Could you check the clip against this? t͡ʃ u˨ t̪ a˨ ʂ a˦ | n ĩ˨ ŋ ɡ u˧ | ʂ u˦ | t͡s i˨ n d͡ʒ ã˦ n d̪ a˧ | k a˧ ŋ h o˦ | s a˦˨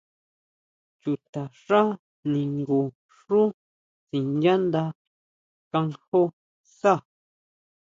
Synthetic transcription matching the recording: t͡ʃ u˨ t̪ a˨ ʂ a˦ | n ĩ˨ ŋ ɡ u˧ | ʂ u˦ | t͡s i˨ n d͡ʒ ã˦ n d̪ a˧ | k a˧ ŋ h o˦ | s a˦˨